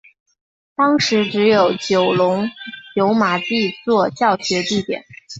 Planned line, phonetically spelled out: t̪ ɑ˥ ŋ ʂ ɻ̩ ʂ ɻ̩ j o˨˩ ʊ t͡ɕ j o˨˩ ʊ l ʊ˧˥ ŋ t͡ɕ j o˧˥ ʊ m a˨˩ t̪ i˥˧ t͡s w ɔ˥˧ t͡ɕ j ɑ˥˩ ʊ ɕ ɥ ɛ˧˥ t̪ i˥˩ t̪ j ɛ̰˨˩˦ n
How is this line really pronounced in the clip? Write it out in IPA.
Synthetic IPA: t̪ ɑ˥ ŋ ʂ ɻ̩ ʈ͡ʂ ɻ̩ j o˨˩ ʊ t͡ɕ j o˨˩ ʊ l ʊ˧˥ ŋ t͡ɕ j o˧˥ ʊ m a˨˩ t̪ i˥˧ t͡s w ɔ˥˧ t͡ɕ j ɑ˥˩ ʊ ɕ ɥ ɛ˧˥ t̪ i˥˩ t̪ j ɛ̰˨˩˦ n